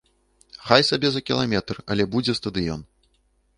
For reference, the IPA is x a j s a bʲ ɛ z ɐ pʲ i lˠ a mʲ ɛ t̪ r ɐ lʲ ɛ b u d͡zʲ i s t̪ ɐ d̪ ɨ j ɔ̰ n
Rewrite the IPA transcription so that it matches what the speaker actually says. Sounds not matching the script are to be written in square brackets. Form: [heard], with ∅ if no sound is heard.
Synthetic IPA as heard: x a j s a bʲ ɛ z ɐ [kʲ] i lˠ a mʲ ɛ t̪ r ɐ lʲ ɛ b u d͡zʲ [ɛ] s t̪ ɐ d̪ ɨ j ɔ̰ n